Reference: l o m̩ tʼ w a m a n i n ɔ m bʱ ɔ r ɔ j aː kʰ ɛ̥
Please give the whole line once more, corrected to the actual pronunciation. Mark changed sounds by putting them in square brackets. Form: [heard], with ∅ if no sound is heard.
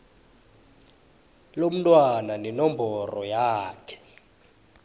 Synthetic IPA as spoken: l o m̩ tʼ w a [n] a n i n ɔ m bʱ ɔ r ɔ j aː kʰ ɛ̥